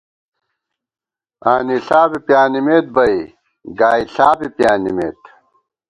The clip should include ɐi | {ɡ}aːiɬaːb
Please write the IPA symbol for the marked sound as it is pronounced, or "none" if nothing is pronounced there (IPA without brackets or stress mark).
ɡ